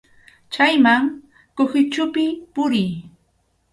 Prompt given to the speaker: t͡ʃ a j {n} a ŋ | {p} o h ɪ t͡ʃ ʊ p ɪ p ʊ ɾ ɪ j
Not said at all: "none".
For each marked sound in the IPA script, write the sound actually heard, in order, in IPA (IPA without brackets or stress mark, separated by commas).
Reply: m, k